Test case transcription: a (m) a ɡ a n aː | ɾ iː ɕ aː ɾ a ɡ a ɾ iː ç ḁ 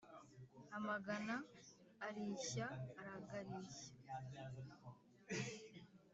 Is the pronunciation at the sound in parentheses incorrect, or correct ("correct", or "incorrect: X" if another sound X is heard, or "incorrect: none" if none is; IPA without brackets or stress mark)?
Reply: correct